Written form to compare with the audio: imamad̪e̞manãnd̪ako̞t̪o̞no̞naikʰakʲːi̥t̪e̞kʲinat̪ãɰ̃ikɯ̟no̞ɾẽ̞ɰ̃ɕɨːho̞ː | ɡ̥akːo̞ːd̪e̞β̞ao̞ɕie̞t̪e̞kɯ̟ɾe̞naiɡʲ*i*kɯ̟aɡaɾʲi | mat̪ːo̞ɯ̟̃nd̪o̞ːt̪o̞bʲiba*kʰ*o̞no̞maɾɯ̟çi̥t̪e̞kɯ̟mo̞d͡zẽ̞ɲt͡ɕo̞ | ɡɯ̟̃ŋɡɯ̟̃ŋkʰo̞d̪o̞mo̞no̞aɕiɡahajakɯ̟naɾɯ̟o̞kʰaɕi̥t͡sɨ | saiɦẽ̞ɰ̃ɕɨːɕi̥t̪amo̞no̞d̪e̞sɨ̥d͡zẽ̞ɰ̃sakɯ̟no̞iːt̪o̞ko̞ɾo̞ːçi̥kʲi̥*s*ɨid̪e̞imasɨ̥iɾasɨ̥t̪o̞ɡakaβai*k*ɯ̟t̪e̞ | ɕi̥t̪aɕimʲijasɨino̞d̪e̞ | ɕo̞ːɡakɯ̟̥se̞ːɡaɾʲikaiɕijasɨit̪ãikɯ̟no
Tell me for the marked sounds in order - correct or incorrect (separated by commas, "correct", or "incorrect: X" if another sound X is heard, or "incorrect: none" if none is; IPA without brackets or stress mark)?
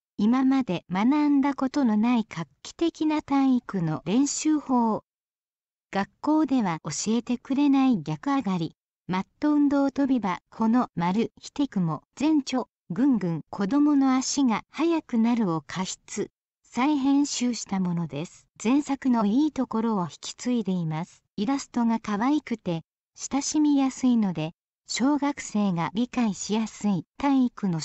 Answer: incorrect: a, correct, incorrect: t͡s, correct